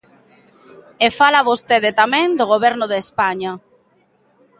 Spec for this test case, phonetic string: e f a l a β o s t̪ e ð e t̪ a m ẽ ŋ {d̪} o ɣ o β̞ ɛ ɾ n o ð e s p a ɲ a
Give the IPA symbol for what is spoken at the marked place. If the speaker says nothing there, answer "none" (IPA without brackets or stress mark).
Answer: d̪